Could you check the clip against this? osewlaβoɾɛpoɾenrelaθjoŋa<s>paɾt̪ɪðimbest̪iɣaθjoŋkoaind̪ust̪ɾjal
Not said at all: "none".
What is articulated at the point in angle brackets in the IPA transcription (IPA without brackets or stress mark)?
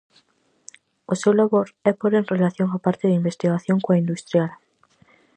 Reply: none